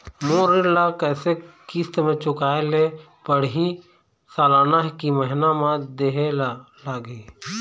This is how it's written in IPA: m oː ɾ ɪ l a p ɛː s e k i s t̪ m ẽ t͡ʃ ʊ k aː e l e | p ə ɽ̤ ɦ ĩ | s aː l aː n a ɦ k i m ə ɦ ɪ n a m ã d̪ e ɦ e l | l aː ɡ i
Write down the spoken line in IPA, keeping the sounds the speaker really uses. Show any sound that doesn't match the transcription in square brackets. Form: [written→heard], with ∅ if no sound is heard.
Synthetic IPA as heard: m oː ɾ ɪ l a [p→k] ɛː s e k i s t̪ m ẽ t͡ʃ ʊ k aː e l e | p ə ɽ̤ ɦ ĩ | s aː l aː n a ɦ k i m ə ɦ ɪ n a m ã d̪ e ɦ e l | l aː ɡ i